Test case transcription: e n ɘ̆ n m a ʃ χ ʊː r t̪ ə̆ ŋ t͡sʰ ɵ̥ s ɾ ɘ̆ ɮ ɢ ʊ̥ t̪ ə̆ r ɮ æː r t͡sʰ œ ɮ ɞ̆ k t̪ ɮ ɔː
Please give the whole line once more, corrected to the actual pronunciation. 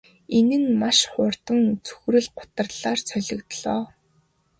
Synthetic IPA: e n ɘ̆ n m a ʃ χ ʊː r t̪ ə̆ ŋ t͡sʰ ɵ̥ x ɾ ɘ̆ ɮ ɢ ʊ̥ t̪ ə̆ r ɮ aː r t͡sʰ œ ɮ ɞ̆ k t̪ ɮ ɔː